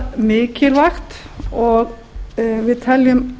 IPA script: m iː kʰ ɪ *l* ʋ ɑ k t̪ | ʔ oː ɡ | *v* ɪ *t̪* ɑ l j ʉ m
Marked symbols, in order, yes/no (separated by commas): yes, no, no